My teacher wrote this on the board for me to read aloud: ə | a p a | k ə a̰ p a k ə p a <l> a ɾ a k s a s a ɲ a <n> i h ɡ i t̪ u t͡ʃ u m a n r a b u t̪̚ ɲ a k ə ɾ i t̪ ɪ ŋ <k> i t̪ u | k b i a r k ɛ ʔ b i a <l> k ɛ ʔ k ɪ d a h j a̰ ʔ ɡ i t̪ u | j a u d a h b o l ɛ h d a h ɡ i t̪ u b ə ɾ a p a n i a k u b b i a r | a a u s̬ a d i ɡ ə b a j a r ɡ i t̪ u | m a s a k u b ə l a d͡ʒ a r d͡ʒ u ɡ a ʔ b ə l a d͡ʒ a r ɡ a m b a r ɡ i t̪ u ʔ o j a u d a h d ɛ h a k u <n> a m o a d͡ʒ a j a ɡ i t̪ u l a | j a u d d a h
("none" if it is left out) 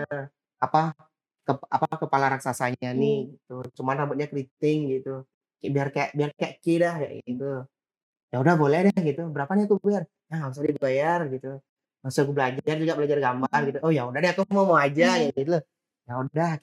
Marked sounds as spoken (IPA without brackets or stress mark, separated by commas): l, n, ɡ, r, m